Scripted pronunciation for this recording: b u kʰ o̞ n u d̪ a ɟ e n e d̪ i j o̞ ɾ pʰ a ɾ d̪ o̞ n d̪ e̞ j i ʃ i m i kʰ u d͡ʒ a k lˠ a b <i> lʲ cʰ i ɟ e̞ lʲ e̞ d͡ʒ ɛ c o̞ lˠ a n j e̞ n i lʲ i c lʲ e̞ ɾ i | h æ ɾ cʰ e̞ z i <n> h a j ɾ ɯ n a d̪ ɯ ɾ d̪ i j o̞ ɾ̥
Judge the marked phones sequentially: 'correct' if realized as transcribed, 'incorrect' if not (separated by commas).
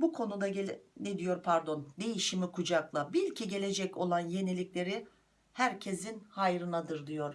correct, correct